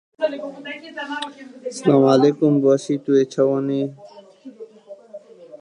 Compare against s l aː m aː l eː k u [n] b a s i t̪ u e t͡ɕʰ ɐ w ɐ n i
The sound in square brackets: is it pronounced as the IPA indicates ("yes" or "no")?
no